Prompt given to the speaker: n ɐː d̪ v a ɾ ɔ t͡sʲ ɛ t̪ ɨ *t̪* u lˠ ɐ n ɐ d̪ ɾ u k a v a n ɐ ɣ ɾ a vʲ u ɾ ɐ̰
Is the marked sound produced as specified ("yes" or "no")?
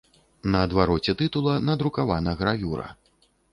yes